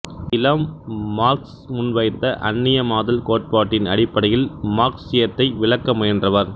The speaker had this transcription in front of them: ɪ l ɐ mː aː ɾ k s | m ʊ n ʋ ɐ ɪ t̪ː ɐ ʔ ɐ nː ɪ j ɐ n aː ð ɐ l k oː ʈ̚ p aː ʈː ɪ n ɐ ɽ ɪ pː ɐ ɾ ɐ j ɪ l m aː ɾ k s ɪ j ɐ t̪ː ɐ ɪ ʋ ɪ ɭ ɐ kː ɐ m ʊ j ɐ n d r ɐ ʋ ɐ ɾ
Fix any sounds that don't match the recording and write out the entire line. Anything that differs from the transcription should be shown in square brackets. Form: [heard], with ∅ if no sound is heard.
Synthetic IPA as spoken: ɪ l ɐ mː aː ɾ k s | m ʊ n ʋ ɐ ɪ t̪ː ɐ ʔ ɐ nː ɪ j ɐ [m] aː ð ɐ l k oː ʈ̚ p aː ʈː ɪ n ɐ ɽ ɪ pː ɐ [ɽ] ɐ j ɪ l m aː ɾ k s ɪ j ɐ t̪ː ɐ ɪ ʋ ɪ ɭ ɐ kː ɐ m ʊ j ɐ n d r ɐ ʋ ɐ ɾ